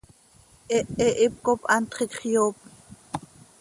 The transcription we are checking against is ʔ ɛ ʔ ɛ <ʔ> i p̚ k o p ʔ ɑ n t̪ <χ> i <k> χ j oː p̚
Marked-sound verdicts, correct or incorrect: correct, correct, correct

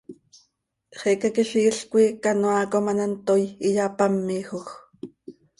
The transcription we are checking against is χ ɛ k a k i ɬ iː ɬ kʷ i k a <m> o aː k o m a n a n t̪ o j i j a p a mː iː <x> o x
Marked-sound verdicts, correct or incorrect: incorrect: n, correct

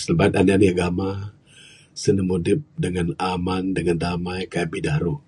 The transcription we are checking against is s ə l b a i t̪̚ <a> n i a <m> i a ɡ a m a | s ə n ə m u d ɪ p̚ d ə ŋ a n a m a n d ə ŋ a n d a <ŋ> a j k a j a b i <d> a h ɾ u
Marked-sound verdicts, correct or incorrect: correct, incorrect: n, incorrect: m, correct

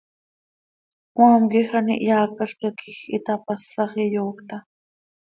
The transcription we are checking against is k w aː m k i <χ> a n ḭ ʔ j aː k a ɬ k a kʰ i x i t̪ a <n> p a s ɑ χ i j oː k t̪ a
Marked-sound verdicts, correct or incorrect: incorrect: x, incorrect: none

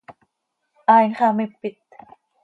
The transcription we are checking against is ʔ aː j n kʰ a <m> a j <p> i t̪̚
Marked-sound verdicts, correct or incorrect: correct, correct

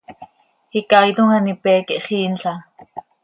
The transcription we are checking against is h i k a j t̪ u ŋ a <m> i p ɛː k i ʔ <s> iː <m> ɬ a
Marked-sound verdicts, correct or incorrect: incorrect: n, incorrect: χ, incorrect: n

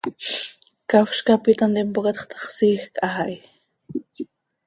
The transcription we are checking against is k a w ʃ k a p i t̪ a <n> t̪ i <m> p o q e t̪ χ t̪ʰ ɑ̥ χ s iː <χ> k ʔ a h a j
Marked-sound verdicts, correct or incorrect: correct, correct, incorrect: x

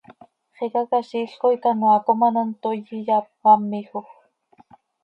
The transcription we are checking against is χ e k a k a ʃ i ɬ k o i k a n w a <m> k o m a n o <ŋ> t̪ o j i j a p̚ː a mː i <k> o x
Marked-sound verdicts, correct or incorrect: incorrect: none, incorrect: n, incorrect: x

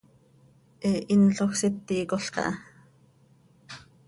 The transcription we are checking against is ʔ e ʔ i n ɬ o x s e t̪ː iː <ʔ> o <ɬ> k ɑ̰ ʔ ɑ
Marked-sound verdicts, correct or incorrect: incorrect: k, correct

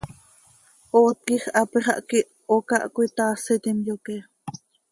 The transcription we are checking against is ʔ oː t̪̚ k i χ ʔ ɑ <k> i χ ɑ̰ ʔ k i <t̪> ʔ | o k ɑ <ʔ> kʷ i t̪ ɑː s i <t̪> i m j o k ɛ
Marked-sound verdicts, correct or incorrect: incorrect: p, incorrect: none, correct, correct

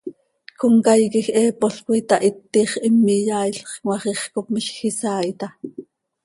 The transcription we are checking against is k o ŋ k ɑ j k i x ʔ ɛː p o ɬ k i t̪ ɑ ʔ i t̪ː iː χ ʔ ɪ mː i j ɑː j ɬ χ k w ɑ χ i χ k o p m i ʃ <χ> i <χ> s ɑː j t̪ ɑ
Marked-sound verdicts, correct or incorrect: incorrect: x, incorrect: none

